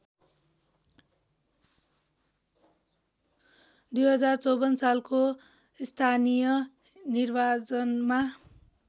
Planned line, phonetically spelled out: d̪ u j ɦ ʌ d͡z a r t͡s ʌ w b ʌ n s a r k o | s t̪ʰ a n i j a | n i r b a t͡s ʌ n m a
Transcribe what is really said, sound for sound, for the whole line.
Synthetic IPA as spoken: d̪ u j ɦ ʌ d͡z a r t͡s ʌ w b ʌ n s a l k o | s t̪ʰ a n i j ʌ | n i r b a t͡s ʌ n m a

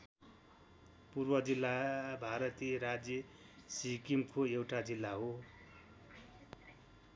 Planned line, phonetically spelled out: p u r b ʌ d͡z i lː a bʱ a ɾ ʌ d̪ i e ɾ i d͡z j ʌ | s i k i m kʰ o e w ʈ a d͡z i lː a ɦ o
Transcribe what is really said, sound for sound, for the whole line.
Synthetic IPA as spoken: p u r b ʌ d͡z i lː a bʱ a ɾ ʌ t̪ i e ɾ a d͡z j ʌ | s i k i m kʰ o e w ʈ a d͡z i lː a ɦ o

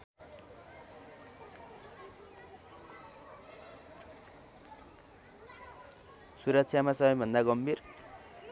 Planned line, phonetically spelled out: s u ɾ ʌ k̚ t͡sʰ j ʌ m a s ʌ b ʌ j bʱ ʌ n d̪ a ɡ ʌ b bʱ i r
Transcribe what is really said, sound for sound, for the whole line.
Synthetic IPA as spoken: s u ɾ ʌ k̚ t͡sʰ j a m a s ʌ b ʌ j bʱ ʌ n d̪ a ɡ ʌ m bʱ i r

